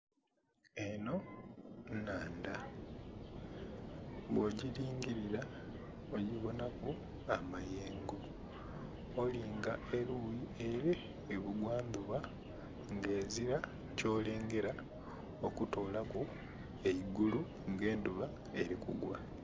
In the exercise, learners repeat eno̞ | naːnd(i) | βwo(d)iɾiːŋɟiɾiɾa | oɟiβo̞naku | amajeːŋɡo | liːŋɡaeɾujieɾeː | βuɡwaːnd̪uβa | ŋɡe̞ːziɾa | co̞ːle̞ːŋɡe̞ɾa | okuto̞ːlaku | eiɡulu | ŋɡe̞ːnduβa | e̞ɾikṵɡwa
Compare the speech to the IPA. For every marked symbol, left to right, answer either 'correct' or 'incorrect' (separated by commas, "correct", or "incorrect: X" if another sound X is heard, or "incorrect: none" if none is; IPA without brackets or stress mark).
incorrect: a, incorrect: ɟ